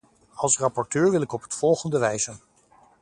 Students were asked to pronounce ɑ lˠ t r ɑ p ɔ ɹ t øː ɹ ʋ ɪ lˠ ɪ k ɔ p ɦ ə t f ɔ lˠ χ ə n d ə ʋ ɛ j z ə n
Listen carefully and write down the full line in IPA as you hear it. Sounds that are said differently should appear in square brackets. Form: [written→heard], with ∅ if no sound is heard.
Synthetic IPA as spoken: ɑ lˠ [t→s] r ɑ p ɔ ɹ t øː ɹ ʋ ɪ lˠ ɪ k ɔ p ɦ ə t f ɔ lˠ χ ə n d ə ʋ ɛ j z ə n